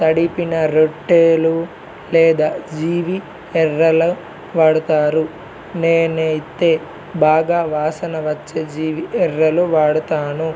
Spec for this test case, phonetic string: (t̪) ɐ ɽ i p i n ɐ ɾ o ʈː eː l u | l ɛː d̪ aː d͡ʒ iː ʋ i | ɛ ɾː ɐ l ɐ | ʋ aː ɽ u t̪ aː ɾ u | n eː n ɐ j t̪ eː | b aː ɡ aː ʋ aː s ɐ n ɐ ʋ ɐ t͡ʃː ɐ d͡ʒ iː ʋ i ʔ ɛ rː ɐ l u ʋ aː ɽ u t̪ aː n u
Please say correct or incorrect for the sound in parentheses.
correct